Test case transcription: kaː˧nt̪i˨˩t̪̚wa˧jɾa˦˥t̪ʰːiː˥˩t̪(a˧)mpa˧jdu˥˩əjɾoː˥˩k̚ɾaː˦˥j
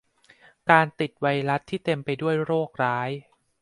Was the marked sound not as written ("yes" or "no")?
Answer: yes